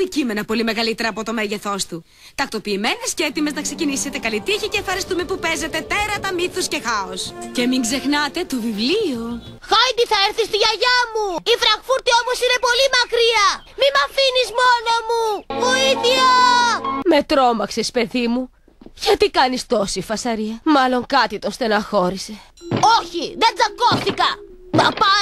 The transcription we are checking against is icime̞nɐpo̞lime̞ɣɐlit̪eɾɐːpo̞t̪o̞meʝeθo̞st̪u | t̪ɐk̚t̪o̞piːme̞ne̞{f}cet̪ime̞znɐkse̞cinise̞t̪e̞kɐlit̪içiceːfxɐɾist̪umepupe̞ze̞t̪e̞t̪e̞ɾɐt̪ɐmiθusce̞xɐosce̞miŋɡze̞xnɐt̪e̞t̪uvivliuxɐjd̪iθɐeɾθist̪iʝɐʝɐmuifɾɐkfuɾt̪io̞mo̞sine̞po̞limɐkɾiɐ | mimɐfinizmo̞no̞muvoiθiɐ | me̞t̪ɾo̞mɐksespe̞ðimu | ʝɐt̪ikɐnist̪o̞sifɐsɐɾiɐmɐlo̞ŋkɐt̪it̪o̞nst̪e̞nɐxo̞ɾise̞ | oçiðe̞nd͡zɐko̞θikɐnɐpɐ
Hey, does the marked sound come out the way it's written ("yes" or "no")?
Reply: no